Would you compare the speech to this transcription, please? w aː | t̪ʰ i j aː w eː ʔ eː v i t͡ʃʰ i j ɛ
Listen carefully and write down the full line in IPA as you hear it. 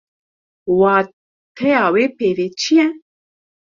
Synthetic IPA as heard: w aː | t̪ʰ ɛ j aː w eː p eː v e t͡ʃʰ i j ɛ